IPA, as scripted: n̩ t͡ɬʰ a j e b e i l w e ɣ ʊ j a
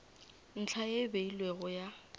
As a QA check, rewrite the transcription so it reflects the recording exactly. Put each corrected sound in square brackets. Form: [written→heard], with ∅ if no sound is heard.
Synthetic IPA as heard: n̩ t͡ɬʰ a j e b e i l w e ɣ ʊ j a